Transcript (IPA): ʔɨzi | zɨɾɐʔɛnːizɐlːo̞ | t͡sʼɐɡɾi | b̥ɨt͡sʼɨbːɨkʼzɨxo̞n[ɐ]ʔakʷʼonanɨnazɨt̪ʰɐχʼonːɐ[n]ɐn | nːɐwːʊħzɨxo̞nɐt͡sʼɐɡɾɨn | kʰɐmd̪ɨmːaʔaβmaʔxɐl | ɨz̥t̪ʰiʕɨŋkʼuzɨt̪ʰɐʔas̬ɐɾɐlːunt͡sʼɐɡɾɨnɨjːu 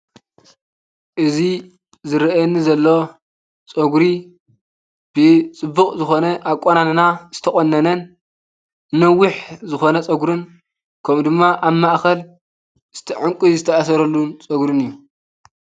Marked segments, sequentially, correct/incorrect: correct, correct

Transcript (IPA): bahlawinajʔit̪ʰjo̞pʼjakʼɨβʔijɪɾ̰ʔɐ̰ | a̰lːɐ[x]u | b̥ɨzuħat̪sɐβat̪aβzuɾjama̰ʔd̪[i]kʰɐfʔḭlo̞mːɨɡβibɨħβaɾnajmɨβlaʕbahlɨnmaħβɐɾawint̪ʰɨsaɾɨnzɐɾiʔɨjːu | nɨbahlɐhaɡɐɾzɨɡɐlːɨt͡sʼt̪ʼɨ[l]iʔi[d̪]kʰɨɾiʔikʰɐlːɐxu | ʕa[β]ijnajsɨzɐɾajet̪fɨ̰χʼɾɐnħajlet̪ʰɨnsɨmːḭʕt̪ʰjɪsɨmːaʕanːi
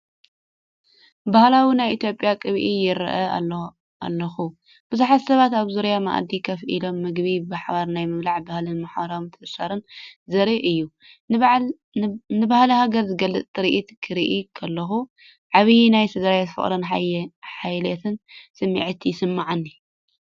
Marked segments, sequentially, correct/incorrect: correct, correct, incorrect: ɾ, incorrect: t̪, correct

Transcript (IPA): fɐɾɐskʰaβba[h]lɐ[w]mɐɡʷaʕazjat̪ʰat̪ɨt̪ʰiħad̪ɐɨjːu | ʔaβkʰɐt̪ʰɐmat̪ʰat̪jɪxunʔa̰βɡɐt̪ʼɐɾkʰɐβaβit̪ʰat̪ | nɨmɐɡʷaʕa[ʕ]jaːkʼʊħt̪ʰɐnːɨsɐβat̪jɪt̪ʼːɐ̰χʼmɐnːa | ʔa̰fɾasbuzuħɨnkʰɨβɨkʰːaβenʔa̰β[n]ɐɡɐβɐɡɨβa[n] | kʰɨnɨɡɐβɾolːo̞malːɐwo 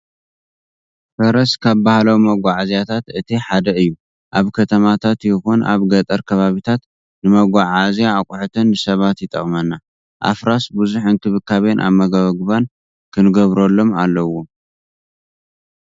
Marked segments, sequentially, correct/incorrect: correct, correct, incorrect: z, incorrect: m, correct

